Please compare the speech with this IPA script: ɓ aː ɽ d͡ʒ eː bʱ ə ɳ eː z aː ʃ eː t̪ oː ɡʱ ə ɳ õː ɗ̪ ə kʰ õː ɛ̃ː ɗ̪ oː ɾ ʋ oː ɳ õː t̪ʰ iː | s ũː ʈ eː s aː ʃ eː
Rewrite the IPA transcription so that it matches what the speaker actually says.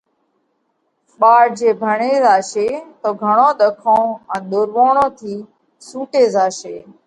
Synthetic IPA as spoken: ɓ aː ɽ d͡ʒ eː bʱ ə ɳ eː z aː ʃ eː t̪ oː ɡʱ ə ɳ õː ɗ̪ ə kʰ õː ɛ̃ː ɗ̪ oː ɾ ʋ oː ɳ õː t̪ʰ iː | s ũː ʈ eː z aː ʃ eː